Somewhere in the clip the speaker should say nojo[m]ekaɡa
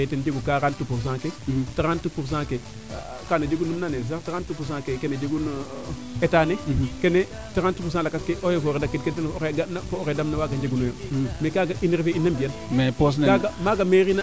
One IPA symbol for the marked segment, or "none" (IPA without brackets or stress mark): m